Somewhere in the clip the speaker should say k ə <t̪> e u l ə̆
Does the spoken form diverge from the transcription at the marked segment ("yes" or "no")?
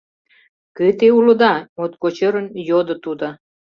no